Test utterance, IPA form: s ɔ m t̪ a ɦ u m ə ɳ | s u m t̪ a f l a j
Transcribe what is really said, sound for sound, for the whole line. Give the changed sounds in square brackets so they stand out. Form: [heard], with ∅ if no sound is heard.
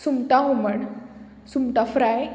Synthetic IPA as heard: s [u] m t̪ a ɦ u m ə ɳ | s u m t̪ a f [ɾ] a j